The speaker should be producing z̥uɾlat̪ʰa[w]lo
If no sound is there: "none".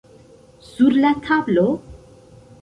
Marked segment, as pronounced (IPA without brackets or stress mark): b